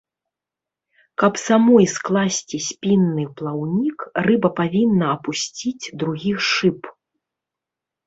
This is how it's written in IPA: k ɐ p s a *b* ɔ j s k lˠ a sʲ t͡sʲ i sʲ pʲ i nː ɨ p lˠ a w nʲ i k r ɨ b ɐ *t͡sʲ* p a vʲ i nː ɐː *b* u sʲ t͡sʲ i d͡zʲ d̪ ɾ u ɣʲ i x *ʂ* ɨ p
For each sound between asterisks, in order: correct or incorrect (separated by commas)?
incorrect, incorrect, incorrect, correct